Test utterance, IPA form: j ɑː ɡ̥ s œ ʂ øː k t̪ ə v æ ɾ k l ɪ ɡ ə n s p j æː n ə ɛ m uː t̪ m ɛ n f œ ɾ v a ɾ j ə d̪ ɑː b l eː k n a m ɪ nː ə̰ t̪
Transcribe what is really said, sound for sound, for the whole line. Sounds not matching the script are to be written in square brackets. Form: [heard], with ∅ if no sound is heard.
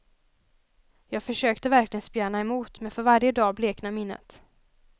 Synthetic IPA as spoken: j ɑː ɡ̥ [f] œ ʂ øː k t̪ ə v æ ɾ k l ɪ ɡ ə n s p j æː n [a] ɛ m uː t̪ m ɛ n f œ ɾ v a ɾ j ə d̪ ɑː b l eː k n a m ɪ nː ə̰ t̪

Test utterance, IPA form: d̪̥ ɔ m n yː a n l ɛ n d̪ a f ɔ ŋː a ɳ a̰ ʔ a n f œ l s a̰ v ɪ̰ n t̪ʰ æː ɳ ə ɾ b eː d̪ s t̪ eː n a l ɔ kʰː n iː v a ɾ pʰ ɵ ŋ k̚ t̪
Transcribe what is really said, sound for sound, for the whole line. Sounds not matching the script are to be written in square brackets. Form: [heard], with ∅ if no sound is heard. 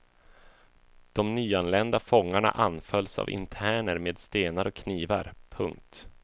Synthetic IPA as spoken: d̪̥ ɔ m n yː a n l ɛ n d̪ a f ɔ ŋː a ɳ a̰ ʔ a n f œ l s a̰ v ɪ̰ n t̪ʰ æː ɳ ə ɾ [m] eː d̪ s t̪ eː n a [ɾ] ɔ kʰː n iː v a ɾ pʰ ɵ ŋ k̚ t̪

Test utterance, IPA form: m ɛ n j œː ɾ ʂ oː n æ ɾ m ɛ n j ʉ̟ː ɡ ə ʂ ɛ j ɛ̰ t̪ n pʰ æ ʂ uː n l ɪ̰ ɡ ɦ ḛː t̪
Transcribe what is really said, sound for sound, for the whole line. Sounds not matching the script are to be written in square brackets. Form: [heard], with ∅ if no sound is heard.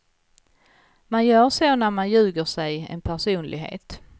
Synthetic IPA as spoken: m [a] n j œː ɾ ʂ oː n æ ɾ m [a] n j ʉ̟ː ɡ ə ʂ ɛ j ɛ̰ [∅] n pʰ æ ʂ uː n l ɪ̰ ɡ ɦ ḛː t̪

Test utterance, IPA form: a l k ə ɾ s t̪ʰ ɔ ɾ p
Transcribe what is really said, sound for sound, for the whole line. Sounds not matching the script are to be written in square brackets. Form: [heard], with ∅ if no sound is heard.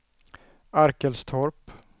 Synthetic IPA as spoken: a [ɾ] k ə [l] s t̪ʰ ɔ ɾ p

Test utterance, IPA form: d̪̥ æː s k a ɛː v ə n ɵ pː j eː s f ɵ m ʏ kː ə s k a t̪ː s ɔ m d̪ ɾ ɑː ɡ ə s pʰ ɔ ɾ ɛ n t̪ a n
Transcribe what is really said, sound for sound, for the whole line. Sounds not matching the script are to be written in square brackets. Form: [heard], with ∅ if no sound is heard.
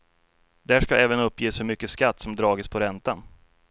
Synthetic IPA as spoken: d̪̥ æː [ʂ] k a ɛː v ə n ɵ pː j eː s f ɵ m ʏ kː ə s k a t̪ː s ɔ m d̪ ɾ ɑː ɡ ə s pʰ ɔ ɾ ɛ n t̪ a n

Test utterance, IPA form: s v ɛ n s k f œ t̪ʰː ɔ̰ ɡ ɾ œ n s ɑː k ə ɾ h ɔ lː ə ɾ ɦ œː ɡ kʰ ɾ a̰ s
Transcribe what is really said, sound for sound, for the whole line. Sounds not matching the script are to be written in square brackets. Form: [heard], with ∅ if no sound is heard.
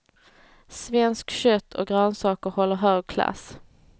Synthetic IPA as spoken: s v ɛ n s k [ɕ] œ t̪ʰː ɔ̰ ɡ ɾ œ n s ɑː k ə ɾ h ɔ lː ə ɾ ɦ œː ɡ kʰ [l] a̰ s

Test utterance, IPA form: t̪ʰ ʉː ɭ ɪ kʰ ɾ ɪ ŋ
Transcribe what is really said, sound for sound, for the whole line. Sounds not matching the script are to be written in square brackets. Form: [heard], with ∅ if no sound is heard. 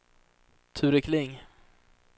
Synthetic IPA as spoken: t̪ʰ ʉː [ɾ] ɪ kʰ [l] ɪ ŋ

